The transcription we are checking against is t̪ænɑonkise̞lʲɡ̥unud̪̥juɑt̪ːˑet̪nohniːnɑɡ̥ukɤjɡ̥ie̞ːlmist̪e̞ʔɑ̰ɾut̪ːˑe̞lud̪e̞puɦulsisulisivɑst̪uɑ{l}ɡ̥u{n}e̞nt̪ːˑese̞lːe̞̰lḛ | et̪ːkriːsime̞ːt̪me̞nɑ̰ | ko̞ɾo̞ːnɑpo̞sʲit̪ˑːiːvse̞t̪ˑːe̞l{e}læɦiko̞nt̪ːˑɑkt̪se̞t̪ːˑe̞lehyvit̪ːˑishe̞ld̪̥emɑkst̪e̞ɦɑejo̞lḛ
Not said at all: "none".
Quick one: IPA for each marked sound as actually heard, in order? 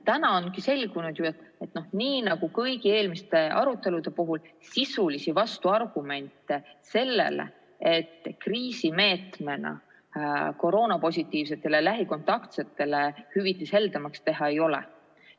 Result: r, m, e

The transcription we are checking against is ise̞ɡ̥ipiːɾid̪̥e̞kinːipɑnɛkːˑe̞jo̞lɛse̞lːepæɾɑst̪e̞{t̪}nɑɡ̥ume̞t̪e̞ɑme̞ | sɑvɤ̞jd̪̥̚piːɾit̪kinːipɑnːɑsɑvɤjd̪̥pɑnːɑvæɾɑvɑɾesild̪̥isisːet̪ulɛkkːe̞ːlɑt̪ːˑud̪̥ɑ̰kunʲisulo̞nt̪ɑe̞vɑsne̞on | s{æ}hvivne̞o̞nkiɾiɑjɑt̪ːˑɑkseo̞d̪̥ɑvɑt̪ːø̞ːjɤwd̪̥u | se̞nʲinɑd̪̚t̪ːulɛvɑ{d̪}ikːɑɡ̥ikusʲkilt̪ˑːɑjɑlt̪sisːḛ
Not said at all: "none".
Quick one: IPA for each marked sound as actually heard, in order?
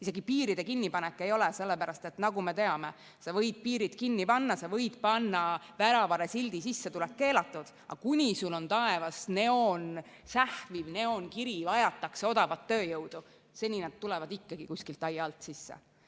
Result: t̪, æ, d̪

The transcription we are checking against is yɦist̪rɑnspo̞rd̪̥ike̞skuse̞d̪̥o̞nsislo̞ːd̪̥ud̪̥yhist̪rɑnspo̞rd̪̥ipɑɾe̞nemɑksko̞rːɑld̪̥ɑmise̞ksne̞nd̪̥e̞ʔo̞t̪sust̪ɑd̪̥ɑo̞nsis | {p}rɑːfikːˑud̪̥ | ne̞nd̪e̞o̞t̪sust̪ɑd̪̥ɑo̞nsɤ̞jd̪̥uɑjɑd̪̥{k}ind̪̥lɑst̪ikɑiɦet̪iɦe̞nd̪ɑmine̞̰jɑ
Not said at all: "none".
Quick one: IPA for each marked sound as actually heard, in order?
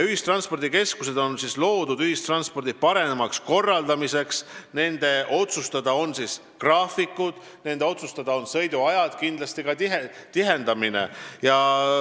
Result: k, k

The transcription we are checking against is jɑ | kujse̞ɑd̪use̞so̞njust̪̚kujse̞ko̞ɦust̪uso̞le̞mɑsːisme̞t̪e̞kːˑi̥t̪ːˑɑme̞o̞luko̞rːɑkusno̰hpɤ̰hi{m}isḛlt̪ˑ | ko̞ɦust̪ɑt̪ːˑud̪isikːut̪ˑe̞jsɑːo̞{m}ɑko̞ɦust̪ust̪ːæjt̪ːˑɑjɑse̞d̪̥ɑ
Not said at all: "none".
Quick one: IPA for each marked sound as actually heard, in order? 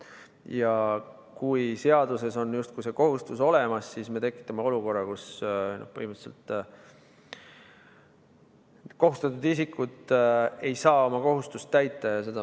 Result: m, m

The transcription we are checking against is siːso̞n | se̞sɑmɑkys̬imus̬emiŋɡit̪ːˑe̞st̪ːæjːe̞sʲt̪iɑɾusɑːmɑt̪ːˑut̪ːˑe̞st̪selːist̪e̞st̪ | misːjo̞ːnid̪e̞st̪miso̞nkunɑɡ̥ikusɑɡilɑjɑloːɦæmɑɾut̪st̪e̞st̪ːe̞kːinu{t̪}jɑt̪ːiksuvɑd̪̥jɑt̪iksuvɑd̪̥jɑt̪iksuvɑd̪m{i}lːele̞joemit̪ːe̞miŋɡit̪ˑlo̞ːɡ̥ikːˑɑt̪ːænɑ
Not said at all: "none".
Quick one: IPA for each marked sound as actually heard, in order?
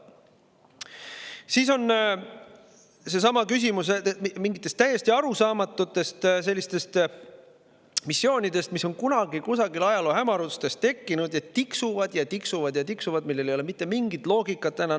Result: d̪, i

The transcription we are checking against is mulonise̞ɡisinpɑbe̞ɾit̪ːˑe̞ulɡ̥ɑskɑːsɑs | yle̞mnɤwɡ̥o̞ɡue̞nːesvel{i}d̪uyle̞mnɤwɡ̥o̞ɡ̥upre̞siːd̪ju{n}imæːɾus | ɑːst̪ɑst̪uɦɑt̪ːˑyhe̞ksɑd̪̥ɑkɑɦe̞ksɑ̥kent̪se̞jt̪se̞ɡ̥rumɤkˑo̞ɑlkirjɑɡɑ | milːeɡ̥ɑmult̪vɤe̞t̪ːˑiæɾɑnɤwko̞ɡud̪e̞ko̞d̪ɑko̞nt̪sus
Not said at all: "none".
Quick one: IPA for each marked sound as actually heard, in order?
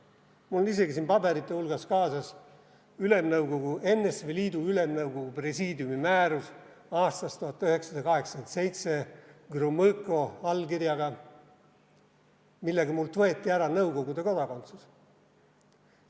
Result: iː, m

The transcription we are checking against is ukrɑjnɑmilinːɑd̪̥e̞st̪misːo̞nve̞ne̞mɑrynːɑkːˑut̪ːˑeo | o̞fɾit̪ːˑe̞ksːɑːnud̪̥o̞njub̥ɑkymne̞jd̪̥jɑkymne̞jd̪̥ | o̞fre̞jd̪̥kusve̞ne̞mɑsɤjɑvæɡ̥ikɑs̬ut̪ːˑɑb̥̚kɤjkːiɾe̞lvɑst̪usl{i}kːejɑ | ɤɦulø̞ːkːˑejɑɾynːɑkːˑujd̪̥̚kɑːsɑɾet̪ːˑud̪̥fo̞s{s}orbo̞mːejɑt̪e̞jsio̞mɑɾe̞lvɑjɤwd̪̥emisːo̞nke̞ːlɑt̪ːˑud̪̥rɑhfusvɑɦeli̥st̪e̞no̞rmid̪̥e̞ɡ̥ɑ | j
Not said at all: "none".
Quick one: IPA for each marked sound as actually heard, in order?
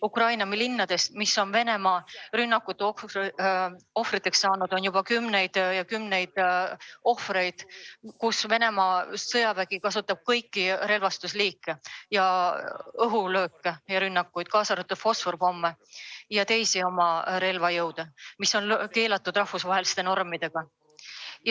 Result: iː, f

